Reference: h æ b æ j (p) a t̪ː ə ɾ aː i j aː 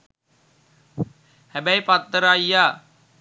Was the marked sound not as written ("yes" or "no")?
no